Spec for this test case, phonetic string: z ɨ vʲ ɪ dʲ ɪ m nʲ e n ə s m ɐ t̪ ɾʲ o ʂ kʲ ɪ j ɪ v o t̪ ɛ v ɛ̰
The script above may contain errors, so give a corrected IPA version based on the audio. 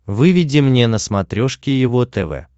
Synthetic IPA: v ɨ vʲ ɪ dʲ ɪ m nʲ e n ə s m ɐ t̪ ɾʲ o ʂ kʲ ɪ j ɪ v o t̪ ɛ v ɛ̰